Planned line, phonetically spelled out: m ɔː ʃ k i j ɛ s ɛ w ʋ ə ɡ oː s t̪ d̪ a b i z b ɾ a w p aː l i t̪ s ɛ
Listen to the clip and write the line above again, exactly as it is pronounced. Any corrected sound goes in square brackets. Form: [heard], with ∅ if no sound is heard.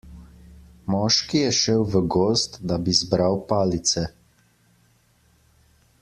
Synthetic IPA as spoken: m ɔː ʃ k i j ɛ [ʃ] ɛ w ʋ ə ɡ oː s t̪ d̪ a b i z b ɾ a w p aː l i t̪ s ɛ